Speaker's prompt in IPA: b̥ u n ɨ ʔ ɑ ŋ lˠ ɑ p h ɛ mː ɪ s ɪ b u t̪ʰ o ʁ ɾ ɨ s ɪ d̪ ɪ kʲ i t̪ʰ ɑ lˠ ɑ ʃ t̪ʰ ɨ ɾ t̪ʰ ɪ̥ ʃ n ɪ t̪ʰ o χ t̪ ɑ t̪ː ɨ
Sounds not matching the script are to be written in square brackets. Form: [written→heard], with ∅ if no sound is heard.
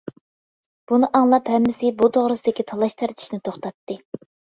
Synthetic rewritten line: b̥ u n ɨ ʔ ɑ ŋ lˠ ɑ p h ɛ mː ɪ s ɪ b u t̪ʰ o ʁ ɾ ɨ s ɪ d̪ ɪ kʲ i t̪ʰ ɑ lˠ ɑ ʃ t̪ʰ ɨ ɾ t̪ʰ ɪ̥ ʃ n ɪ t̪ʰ o χ t̪ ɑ t̪ː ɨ